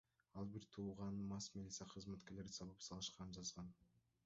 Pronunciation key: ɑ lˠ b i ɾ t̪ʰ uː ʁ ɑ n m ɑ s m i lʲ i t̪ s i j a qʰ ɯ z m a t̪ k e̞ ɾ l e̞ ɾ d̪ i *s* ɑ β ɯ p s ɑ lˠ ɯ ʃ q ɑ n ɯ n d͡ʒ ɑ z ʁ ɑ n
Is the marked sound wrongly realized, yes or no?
no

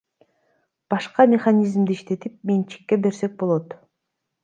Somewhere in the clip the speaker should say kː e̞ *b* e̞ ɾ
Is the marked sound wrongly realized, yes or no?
no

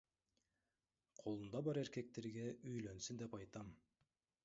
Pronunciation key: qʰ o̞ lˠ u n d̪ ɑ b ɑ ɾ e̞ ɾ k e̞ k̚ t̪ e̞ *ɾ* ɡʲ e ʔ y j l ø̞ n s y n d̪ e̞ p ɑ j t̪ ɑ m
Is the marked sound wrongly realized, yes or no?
no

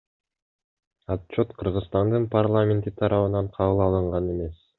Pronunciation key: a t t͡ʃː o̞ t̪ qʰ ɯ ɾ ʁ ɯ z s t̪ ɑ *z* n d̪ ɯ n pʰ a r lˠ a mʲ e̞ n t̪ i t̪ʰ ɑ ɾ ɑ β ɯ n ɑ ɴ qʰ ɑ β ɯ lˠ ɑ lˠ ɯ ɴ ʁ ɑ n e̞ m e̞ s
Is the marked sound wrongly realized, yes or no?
yes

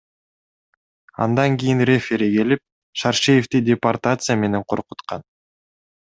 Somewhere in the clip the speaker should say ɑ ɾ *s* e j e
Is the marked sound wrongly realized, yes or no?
yes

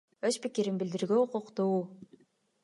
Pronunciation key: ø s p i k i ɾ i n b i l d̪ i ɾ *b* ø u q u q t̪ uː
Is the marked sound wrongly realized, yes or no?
yes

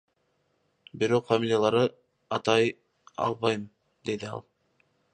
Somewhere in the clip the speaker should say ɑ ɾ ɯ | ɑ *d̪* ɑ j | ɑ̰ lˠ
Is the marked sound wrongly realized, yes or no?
yes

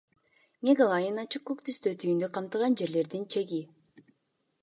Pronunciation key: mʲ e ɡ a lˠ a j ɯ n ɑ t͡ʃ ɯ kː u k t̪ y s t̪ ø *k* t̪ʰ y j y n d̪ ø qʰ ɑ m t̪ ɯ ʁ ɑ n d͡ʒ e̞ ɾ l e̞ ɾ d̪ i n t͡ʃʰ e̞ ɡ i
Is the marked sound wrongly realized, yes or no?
yes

